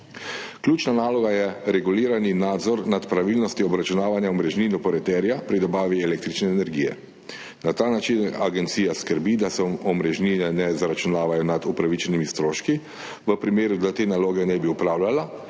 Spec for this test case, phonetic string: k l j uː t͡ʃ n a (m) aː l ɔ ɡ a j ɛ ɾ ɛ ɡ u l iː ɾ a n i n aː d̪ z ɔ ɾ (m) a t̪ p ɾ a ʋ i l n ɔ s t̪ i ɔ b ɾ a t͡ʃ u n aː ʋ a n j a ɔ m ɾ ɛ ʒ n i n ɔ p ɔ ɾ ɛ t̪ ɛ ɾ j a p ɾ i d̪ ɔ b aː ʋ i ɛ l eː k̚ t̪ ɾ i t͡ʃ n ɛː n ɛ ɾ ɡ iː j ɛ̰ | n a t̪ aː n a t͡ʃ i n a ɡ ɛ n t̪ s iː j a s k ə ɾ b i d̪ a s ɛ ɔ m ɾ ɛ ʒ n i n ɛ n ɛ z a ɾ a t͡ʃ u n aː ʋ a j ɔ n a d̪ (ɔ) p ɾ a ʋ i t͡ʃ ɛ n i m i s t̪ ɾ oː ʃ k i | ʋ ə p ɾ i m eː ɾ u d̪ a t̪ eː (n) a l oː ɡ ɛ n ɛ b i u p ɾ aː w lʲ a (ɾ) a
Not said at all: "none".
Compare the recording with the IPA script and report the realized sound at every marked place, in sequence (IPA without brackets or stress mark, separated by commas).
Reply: n, n, u, n, l